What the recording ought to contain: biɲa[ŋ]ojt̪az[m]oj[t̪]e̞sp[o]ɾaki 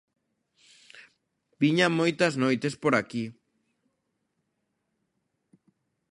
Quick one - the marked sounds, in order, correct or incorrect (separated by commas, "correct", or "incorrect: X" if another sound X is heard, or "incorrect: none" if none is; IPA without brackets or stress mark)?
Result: incorrect: m, incorrect: n, correct, correct